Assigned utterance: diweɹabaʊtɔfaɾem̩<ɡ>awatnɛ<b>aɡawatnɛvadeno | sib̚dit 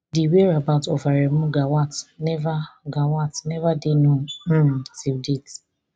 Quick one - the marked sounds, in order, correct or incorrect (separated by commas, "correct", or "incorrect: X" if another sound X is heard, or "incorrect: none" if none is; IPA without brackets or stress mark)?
correct, incorrect: v